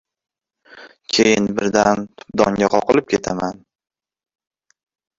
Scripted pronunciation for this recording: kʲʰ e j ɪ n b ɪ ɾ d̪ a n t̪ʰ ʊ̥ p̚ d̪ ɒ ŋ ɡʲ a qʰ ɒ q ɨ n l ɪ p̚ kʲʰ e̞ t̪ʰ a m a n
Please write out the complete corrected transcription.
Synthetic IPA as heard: kʲʰ e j ɪ n b ɪ ɾ d̪ a n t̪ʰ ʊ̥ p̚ d̪ ɒ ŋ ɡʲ a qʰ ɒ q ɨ l ɪ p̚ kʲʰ e̞ t̪ʰ a m a n

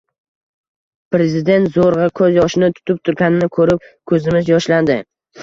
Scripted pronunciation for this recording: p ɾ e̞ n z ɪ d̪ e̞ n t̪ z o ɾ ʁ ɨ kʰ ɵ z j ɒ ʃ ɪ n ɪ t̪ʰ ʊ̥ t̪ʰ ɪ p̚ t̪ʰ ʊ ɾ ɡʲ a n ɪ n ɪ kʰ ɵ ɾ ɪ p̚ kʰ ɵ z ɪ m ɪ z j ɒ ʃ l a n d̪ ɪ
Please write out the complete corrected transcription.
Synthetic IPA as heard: p ɾ e̞ z ɪ d̪ e̞ n t̪ z o ɾ ʁ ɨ kʰ ɵ z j ɒ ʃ ɪ n ɪ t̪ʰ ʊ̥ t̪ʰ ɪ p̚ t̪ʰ ʊ ɾ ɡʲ a n ɪ n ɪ kʰ ɵ ɾ ɪ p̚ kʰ ɵ z ɪ m ɪ z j ɒ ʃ l a n d̪ ɪ

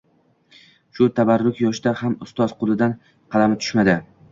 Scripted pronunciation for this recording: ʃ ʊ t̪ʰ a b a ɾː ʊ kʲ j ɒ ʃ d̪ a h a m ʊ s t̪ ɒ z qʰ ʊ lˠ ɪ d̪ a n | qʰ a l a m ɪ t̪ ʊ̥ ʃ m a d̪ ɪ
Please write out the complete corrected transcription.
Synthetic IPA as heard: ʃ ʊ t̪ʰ a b a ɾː ʊ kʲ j ɒ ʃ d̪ a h a m ʊ s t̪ ɒ z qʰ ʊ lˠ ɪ d̪ a n | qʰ ɑ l a m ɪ t̪ʰ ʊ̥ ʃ m a d̪ ɪ

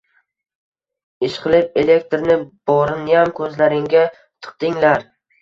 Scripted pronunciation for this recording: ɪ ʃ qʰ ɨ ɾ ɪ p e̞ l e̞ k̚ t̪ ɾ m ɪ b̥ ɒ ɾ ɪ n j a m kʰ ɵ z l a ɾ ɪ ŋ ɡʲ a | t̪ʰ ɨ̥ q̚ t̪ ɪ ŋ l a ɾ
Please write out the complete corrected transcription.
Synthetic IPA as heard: ɪ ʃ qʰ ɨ l ɪ p e̞ l e̞ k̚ t̪ ɾ n ɪ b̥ ɒ ɾ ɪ n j a m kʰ ɵ z l a ɾ ɪ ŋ ɡʲ a | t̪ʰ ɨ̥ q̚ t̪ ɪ ŋ l a ɾ

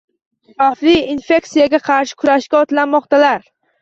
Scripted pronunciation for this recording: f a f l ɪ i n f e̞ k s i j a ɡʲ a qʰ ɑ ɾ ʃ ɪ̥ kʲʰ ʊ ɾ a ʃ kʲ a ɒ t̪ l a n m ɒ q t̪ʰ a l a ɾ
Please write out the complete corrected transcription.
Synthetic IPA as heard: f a f l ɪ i n f e̞ k s i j a ɡʲ a qʰ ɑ ɾ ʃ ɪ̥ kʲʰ ʊ ɾ a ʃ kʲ a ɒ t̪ l a n m ɒ q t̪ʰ a l a ɾ

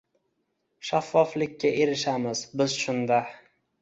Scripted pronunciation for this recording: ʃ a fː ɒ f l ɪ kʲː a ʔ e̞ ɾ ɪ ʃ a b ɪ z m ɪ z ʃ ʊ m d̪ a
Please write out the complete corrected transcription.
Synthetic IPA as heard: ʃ a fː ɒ f l ɪ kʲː a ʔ e̞ ɾ ɪ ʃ a m ɪ z b ɪ z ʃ ʊ n d̪ a

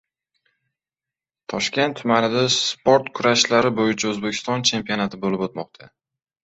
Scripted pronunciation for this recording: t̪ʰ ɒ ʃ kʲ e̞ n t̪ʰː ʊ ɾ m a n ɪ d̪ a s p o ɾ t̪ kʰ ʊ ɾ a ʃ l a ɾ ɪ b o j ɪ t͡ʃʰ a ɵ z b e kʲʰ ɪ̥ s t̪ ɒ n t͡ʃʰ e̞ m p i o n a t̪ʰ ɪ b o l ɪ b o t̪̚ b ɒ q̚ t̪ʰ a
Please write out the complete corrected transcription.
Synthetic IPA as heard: t̪ʰ ɒ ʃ kʲ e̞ n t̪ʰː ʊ m a n ɪ d̪ a s p o ɾ t̪ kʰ ʊ ɾ a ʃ l a ɾ ɪ b o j ɪ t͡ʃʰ a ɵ z b e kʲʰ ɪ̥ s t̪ ɒ n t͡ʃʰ e̞ m p i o n a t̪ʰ ɪ b o l ɪ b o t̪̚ m ɒ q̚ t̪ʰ a

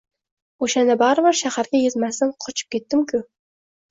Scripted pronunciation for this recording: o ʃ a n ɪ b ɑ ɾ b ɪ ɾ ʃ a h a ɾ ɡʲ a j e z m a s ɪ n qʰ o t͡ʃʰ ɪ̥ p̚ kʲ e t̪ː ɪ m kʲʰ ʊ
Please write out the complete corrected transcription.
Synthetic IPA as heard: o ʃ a n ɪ b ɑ ɾ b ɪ ɾ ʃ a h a ɾ ɡʲ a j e z m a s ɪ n qʰ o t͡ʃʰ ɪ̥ p̚ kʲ e t̪ː ɪ m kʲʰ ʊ

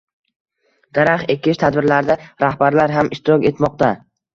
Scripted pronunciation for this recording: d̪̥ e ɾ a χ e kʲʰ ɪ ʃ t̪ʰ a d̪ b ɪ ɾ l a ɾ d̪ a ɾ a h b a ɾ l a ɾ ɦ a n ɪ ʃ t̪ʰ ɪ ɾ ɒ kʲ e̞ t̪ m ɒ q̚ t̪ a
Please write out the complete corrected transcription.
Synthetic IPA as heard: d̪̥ a ɾ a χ e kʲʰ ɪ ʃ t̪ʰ a d̪ b ɪ ɾ l a ɾ d̪ a ɾ a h b a ɾ l a ɾ ɦ a m ɪ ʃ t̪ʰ ɪ ɾ ɒ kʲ e̞ t̪ m ɒ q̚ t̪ a

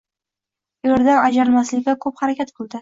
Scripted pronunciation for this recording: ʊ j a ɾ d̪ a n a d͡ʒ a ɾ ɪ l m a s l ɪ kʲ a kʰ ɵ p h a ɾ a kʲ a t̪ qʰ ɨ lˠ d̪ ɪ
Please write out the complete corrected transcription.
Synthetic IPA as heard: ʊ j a ɾ d̪ a n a d͡ʒ a ɾ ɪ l m a s l ɪ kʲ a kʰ ɵ p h a ɾ a kʲ a t̪ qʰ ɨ lˠ d̪ ɪ

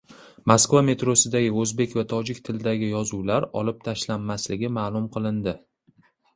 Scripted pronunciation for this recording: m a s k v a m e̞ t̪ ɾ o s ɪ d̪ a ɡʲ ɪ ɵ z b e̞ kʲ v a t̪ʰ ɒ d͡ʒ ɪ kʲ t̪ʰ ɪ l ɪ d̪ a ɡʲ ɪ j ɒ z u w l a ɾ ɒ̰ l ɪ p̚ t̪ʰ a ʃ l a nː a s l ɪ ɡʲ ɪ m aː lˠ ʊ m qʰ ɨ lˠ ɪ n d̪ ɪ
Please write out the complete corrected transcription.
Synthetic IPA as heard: m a s k v a m e̞ t̪ ɾ o s ɪ d̪ a ɡʲ ɪ ɵ z b e̞ kʲ v a t̪ʰ ɒ d͡ʒ ɪ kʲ t̪ʰ ɪ l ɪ d̪ a ɡʲ ɪ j ɒ z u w l a ɾ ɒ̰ l ɪ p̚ t̪ʰ a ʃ l a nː a s l ɪ ɡʲ ɪ m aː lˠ ʊ m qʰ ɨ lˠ ɪ n d̪ ɪ

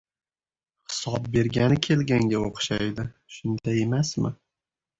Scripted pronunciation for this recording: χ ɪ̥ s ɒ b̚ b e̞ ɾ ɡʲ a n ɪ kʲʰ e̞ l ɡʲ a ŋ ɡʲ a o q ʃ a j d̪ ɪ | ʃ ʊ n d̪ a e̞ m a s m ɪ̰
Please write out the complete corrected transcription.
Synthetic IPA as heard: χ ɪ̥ s ɒ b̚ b e̞ ɾ ɡʲ a n ɪ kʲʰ e̞ l ɡʲ a ŋ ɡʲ a o q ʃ a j d̪ ɪ | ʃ ʊ n d̪ a e̞ m a s m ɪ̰

